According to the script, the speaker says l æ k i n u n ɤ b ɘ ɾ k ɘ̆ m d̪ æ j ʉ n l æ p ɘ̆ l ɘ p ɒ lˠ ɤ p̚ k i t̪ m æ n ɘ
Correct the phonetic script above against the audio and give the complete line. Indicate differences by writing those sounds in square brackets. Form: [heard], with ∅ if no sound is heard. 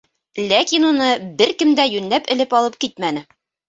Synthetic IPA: l æ k i n u n ɤ b ɘ ɾ k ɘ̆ m d̪ æ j ʉ n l æ p ɘ̆ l ɘ p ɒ lˠ ɤ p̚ k i t̪ m æ n ɘ